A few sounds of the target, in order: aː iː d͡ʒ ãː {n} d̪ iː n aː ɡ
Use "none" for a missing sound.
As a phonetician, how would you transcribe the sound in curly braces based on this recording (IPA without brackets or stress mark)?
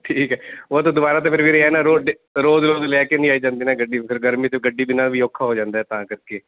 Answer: n